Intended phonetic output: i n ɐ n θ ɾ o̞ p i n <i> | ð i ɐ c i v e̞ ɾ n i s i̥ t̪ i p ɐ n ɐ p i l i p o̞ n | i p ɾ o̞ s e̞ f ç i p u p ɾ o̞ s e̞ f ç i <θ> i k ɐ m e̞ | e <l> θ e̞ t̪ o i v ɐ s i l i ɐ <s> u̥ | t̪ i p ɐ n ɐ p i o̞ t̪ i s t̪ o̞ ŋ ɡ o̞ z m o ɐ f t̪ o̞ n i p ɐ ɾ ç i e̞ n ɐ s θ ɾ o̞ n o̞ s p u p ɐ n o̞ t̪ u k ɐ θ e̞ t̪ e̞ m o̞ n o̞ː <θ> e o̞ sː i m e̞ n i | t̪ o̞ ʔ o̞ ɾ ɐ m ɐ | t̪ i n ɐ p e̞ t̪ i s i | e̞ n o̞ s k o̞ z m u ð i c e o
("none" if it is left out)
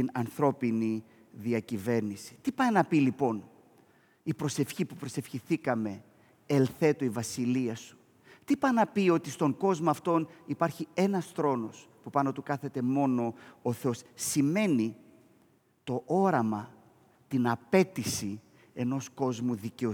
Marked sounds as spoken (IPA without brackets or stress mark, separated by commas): i, θ, l, s, θ